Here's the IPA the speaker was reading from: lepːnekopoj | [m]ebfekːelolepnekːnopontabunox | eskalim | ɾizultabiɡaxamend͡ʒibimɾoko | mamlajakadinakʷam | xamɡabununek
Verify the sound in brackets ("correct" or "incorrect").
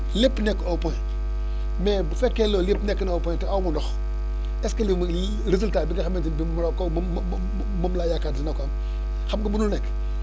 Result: correct